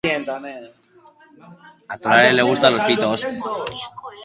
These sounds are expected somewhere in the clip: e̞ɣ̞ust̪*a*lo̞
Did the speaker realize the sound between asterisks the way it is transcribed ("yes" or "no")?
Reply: yes